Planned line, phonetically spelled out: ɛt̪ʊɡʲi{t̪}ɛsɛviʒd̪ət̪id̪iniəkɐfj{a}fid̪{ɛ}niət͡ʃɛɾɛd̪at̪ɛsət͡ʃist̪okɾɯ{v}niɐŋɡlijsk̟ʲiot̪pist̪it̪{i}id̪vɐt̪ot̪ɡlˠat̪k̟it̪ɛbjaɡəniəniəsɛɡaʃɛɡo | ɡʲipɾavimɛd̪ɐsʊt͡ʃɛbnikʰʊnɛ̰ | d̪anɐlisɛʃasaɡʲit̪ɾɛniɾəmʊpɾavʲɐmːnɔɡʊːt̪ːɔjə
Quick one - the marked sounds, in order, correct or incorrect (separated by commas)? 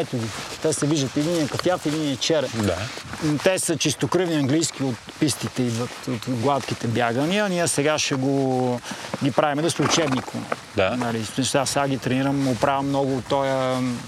correct, correct, incorrect, correct, incorrect